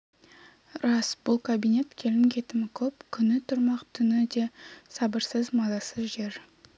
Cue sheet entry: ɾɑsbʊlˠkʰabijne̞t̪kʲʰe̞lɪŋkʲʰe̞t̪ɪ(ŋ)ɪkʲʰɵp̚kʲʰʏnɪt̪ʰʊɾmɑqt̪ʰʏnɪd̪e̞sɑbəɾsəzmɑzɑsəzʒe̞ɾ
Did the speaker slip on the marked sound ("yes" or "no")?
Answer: yes